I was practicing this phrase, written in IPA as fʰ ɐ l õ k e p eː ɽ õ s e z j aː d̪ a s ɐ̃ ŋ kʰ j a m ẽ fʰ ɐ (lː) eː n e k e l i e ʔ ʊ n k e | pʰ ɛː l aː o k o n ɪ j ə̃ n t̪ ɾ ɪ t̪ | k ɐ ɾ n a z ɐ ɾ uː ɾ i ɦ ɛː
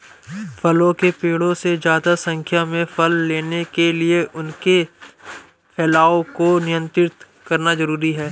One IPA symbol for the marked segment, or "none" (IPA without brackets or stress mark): lː